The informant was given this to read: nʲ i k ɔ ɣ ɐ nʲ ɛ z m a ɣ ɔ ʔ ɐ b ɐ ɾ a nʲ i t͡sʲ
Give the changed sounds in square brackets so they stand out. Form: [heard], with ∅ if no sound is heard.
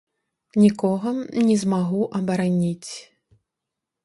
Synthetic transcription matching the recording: nʲ i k ɔ ɣ ɐ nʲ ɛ z m a ɣ [u] ʔ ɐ b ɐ ɾ a nʲ i t͡sʲ